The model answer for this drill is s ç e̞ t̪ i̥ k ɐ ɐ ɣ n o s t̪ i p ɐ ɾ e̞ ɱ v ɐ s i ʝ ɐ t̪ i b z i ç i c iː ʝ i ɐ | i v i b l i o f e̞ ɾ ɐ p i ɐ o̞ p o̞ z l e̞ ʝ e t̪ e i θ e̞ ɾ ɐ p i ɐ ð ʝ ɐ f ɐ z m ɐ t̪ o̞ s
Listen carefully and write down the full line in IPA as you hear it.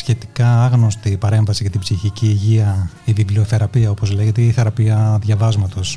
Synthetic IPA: s ç e̞ t̪ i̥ k ɐ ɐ ɣ n o s t̪ i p ɐ ɾ e̞ ɱ v ɐ s i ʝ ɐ t̪ i b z i ç i c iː ʝ i ɐ | i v i b l i o θ e̞ ɾ ɐ p i ɐ o̞ p o̞ z l e̞ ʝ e t̪ e i θ e̞ ɾ ɐ p i ɐ ð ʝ ɐ v ɐ z m ɐ t̪ o̞ s